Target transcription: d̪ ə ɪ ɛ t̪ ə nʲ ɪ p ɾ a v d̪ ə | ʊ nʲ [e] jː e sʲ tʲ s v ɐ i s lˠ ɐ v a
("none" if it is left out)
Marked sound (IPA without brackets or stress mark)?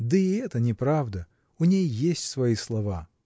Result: e